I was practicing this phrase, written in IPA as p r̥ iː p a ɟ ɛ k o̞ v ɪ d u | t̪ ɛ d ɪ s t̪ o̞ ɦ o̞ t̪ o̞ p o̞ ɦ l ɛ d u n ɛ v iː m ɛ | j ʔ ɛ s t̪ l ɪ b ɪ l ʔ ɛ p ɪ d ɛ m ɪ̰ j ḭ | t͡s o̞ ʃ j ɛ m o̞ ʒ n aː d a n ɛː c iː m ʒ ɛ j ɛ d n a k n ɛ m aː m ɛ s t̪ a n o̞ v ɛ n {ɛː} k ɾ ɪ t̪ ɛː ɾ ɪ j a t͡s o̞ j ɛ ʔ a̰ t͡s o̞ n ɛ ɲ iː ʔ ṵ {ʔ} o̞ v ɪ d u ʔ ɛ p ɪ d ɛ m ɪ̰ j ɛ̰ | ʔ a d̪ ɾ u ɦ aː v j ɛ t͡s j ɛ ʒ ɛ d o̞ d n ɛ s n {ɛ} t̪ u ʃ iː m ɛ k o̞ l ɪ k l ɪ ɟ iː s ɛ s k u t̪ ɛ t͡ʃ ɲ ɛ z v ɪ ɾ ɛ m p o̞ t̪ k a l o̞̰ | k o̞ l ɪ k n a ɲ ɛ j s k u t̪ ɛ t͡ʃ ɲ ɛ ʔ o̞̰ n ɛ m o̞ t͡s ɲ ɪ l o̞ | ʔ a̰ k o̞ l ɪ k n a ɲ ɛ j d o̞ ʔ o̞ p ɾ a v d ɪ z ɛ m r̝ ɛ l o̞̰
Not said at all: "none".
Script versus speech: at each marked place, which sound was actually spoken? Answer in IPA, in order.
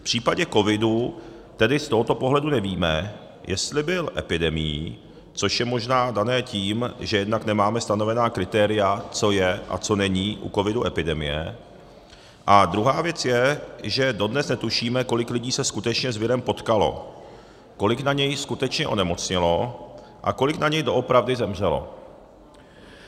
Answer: aː, k, ɛ

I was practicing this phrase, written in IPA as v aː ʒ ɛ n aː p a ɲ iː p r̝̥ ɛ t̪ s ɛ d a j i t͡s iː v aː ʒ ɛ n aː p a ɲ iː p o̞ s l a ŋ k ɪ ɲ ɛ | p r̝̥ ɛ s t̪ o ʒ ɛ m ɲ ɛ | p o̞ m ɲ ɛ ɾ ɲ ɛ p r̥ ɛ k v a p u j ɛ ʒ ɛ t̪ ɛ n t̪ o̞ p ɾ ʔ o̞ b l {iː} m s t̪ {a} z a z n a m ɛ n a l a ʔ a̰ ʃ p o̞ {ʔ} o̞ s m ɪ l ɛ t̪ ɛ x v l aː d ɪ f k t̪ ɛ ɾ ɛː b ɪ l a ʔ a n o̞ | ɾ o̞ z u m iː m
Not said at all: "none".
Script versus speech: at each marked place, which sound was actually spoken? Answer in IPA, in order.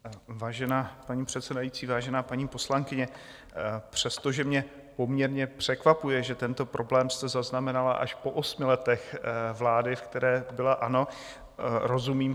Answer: ɛː, ɛ, ʔ

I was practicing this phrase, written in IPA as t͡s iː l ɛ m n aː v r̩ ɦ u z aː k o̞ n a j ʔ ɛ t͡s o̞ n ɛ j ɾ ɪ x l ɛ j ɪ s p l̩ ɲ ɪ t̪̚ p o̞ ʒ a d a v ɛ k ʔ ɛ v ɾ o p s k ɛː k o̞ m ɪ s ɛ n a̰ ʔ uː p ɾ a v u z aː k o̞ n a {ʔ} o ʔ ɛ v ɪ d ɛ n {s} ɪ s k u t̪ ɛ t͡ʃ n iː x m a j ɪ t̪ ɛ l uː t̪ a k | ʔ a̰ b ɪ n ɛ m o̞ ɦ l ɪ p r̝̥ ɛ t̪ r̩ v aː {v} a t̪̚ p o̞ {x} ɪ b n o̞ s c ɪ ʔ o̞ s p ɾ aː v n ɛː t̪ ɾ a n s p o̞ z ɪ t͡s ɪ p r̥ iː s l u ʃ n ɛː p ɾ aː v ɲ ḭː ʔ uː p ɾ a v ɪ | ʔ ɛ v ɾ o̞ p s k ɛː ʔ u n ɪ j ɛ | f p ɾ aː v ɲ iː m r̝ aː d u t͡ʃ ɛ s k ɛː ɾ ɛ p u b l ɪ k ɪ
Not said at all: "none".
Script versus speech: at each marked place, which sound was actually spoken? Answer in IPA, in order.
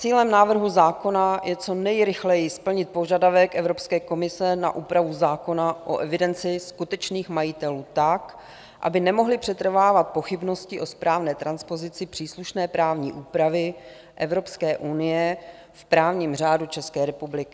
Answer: ʔ, t͡s, v, x

